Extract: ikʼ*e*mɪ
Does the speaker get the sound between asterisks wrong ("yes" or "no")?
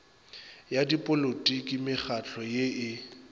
yes